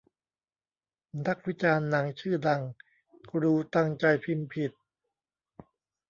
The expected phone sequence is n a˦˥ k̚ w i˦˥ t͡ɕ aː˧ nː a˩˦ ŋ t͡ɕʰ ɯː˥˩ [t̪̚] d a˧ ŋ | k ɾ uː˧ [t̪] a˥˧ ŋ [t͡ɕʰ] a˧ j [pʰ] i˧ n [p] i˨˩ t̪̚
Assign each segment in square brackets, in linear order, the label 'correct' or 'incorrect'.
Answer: incorrect: none, correct, incorrect: t͡ɕ, correct, incorrect: pʰ

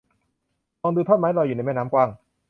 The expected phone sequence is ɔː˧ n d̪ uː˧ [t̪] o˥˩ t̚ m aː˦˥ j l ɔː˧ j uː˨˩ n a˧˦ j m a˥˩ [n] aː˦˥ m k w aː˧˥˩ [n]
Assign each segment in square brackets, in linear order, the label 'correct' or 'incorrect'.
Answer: incorrect: t̪ʰ, correct, incorrect: ŋ

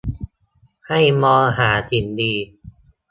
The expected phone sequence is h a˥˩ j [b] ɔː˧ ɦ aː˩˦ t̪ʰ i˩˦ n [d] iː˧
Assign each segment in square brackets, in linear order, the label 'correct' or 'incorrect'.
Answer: incorrect: m, correct

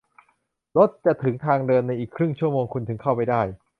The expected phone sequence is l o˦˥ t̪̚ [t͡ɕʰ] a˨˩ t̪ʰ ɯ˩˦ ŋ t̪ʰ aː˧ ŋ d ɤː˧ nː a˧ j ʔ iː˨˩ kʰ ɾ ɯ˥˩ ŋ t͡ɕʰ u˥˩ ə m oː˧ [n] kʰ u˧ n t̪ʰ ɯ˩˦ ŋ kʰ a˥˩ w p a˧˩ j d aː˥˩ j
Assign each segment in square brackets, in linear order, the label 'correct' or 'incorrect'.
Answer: incorrect: t͡ɕ, incorrect: ŋ

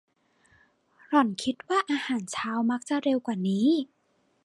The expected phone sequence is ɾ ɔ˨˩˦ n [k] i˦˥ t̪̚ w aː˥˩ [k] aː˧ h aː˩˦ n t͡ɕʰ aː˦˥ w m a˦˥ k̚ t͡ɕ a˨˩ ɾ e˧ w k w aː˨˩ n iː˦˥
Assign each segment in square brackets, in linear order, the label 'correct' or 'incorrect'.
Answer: incorrect: kʰ, incorrect: ʔ

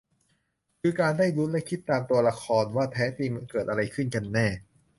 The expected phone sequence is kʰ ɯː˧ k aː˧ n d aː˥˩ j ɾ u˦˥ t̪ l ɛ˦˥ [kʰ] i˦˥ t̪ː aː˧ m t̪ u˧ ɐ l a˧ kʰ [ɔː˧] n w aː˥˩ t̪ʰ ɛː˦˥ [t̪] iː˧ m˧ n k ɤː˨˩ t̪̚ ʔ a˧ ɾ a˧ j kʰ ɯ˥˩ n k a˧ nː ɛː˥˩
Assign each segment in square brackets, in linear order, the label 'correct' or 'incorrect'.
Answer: correct, correct, correct

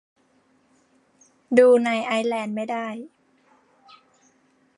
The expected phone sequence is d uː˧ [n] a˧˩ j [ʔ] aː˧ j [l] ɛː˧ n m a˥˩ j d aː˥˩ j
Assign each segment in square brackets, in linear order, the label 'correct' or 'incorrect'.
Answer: correct, correct, correct

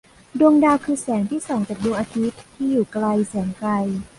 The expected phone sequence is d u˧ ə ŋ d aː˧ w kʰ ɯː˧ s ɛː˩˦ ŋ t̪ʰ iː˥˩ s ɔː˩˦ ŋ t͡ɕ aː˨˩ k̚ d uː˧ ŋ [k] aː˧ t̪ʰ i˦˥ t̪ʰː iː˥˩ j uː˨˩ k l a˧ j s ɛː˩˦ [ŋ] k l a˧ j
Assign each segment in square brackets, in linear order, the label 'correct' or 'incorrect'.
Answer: incorrect: ʔ, correct

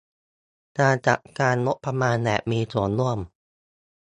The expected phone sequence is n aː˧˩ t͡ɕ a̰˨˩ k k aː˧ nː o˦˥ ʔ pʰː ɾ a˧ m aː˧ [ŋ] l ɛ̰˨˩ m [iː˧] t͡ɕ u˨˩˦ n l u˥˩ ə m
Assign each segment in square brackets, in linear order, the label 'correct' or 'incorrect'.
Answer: incorrect: n, correct

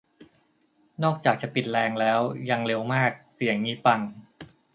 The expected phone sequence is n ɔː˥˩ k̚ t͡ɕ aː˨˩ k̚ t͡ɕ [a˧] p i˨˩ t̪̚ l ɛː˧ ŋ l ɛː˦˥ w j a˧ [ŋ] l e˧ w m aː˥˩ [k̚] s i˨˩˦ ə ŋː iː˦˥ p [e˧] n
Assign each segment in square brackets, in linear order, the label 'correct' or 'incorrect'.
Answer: incorrect: a˨˩, correct, correct, incorrect: a˧

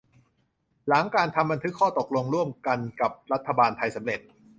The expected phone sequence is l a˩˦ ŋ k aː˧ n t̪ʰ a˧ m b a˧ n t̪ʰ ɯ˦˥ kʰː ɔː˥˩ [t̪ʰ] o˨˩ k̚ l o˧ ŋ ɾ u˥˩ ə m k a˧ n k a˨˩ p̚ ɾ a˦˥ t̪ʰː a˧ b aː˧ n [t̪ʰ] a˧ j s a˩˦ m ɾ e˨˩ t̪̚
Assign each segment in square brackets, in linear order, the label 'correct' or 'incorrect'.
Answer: incorrect: t̪, correct

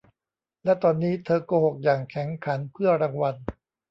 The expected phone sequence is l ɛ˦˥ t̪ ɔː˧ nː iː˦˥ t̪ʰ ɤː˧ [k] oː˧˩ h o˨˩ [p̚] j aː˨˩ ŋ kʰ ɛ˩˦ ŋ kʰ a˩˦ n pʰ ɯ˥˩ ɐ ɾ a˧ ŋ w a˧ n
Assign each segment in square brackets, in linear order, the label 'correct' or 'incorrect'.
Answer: correct, incorrect: k̚

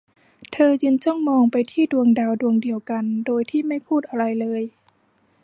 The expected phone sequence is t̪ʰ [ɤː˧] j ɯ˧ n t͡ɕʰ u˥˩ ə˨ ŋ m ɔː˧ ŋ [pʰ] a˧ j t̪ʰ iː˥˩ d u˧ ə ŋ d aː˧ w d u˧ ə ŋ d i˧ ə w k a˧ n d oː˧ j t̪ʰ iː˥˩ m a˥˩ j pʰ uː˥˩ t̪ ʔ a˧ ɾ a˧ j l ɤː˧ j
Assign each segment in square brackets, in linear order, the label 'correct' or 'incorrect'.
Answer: correct, incorrect: p

